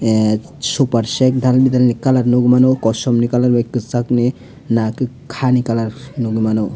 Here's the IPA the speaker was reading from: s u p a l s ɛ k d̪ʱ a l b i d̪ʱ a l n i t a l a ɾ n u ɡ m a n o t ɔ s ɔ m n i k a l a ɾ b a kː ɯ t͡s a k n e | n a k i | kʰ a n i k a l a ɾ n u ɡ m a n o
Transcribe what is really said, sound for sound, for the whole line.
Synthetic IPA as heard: s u p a ɾ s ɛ k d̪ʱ a l b i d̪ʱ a l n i k a l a ɾ n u ɡ m a n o k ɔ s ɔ m n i k a l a ɾ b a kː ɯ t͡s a k n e | n a k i | kʰ a n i k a l a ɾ n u ɡ m a n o